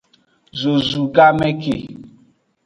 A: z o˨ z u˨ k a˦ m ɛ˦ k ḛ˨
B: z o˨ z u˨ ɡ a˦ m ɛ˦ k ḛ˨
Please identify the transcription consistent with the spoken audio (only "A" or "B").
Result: B